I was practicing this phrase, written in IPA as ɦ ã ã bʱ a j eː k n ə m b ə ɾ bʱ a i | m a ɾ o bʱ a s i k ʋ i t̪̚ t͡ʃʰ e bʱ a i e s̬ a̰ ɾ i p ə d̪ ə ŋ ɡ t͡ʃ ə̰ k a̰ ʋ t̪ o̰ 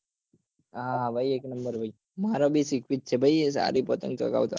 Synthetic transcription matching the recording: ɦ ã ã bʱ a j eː k n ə m b ə ɾ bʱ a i | m a ɾ o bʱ i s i k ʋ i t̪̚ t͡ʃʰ e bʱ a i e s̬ a̰ ɾ i p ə t̪ ə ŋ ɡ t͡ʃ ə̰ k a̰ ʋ t̪ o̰